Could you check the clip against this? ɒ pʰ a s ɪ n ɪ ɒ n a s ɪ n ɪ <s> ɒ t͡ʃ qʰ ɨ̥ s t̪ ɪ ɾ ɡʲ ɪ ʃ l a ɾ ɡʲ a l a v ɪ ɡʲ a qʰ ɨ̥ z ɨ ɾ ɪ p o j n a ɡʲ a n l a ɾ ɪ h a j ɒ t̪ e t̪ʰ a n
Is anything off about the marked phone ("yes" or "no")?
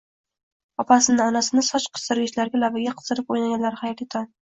no